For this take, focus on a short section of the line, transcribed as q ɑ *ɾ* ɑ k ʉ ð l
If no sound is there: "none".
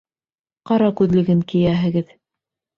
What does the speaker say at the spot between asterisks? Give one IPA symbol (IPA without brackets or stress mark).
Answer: ɾ